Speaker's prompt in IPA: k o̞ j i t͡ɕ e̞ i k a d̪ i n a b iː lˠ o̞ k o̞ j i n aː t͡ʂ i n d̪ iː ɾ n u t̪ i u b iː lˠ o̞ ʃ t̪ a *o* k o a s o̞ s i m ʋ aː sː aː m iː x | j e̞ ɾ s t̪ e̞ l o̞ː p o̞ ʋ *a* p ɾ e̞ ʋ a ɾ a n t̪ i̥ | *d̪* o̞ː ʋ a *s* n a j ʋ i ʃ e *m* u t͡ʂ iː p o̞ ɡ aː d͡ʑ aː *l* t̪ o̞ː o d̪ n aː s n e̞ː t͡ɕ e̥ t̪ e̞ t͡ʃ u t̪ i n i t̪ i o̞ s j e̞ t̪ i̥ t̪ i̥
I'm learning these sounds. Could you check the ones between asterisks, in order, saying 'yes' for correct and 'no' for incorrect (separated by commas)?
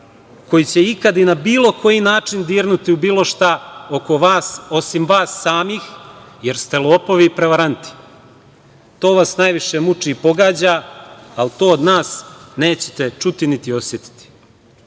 yes, no, no, yes, yes, yes